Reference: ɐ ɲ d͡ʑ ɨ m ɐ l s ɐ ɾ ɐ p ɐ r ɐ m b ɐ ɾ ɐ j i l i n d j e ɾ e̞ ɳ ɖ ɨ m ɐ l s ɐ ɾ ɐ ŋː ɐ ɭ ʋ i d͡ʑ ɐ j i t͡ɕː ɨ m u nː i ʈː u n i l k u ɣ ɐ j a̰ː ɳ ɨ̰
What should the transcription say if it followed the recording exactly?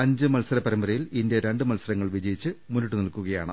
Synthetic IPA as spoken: ɐ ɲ d͡ʑ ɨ m ɐ l s ɐ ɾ ɐ p ɐ ɾ ɐ m b ɐ ɾ ɐ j i l i n d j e ɾ e̞ ɳ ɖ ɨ m ɐ l s ɐ ɾ ɐ ŋː ɐ ɭ ʋ i d͡ʑ ɐ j i t͡ɕː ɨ m u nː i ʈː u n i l k u ɣ ɐ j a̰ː ɳ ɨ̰